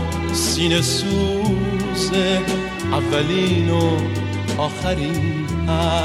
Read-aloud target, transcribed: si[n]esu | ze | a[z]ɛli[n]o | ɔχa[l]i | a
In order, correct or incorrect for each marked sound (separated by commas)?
correct, incorrect, correct, incorrect